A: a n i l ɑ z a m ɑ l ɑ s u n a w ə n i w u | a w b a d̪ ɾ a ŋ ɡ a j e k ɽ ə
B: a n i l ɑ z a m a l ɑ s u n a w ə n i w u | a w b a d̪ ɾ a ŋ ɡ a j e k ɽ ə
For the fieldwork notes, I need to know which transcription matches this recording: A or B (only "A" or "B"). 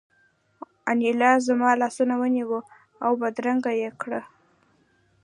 A